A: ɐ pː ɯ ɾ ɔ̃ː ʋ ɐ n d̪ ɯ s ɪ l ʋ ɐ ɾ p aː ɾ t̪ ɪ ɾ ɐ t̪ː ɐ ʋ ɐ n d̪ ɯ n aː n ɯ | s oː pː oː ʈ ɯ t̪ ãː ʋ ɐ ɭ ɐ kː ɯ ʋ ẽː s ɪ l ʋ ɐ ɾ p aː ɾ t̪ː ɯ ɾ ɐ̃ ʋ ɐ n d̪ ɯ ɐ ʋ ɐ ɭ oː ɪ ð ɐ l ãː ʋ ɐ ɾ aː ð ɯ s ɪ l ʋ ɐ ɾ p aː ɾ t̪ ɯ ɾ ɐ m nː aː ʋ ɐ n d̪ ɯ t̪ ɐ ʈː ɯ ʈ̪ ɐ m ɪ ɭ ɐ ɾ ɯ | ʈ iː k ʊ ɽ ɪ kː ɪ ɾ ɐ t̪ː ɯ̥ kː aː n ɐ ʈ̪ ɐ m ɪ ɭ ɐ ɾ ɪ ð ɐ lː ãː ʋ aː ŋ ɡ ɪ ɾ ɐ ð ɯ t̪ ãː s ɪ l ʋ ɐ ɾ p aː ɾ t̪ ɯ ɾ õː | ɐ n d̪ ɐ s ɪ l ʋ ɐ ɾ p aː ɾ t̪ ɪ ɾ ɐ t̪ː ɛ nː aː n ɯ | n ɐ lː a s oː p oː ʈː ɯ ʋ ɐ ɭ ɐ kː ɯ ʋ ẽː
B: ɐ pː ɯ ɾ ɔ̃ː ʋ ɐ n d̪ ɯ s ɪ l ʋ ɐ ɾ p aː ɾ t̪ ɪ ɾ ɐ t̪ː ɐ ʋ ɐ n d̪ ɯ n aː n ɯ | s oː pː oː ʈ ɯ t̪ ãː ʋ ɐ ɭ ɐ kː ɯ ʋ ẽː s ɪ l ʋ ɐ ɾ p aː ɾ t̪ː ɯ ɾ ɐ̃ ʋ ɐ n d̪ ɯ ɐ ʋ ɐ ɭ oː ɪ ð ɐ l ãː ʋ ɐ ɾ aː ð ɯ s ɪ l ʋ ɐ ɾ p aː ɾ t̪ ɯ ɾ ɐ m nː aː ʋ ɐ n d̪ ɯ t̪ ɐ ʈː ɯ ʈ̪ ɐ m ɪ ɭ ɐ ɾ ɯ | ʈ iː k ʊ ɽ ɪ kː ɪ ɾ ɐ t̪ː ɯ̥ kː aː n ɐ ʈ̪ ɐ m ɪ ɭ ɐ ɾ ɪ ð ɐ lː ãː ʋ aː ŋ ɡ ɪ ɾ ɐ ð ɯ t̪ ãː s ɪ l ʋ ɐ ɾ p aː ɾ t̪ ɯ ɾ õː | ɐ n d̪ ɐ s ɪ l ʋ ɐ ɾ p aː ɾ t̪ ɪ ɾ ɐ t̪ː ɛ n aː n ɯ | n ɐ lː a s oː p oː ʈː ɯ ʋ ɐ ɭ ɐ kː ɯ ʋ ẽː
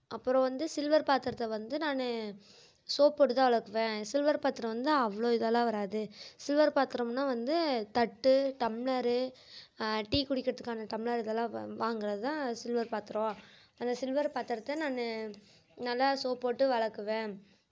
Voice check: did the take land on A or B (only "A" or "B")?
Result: B